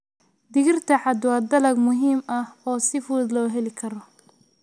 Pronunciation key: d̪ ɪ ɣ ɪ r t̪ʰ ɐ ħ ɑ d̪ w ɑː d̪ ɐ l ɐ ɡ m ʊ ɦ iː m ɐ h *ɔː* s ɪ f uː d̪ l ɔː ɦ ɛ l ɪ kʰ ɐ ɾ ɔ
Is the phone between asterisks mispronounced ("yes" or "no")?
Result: no